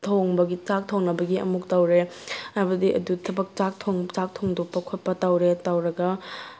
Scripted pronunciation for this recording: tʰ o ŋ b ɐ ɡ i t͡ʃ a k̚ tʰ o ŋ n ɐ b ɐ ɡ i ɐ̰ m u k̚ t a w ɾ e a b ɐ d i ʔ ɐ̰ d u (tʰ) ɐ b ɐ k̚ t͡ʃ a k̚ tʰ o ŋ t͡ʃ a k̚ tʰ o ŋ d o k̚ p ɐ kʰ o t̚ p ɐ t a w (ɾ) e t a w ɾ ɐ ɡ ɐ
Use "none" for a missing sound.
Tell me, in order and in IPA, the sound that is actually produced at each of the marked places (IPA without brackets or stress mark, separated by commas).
tʰ, ɾ